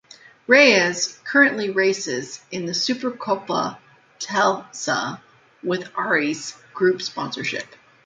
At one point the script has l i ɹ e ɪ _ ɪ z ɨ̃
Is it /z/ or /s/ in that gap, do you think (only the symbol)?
s